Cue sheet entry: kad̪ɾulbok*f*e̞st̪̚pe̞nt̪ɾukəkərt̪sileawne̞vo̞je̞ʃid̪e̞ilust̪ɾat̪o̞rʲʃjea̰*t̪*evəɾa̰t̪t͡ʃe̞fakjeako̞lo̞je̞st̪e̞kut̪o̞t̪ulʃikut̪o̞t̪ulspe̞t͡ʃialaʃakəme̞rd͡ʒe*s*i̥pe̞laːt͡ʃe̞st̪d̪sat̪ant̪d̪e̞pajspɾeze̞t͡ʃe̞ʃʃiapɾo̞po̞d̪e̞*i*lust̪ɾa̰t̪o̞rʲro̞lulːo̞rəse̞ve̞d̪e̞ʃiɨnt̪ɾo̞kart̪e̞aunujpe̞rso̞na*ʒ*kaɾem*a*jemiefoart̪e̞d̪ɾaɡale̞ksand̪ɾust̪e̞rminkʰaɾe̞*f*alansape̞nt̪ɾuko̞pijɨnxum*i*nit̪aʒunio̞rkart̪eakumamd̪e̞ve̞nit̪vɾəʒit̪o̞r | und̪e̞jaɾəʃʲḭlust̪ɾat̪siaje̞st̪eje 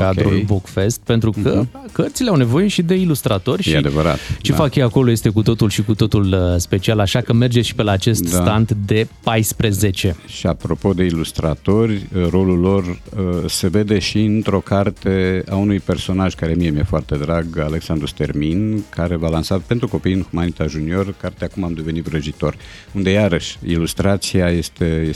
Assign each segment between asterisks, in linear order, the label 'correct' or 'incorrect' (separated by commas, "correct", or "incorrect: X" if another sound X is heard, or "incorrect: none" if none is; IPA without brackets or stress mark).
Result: correct, incorrect: d̪, incorrect: ʃ, correct, correct, incorrect: i, incorrect: v, incorrect: a